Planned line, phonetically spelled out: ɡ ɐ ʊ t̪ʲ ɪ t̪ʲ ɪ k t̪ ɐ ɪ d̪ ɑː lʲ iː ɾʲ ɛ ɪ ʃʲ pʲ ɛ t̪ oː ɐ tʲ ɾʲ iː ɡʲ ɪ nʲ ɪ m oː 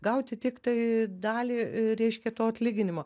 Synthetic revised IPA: ɡ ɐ ʊ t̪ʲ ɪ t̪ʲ ɪ k t̪ ɐ ɪ d̪ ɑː lʲ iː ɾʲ ɛ ɪ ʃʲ kʲ ɛ t̪ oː ɐ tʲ lʲ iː ɡʲ ɪ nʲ ɪ m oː